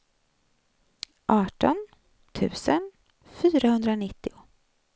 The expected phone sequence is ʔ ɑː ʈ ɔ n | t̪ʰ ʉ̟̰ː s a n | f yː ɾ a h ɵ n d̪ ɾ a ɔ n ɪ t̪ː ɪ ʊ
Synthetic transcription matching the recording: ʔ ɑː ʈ ɔ n | t̪ʰ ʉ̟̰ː s ə n | f yː ɾ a h ɵ n d̪ ɾ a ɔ n ɪ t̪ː ɪ ʊ